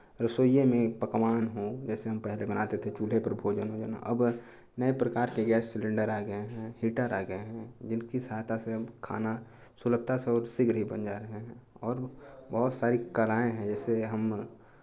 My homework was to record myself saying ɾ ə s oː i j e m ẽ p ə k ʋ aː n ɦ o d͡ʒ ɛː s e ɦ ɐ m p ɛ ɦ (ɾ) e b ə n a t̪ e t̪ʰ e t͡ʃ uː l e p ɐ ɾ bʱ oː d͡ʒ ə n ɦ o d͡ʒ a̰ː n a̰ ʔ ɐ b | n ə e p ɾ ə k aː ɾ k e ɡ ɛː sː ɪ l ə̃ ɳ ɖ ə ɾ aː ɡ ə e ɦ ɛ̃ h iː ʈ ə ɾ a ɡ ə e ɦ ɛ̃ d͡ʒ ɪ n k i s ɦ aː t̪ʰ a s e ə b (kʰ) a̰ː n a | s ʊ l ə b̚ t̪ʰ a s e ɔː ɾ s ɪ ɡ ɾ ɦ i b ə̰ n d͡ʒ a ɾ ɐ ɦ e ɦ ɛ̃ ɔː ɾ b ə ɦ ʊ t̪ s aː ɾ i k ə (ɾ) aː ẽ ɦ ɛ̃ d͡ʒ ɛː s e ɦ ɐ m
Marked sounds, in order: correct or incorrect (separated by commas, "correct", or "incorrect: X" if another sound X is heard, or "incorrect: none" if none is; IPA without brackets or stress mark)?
incorrect: l, correct, incorrect: l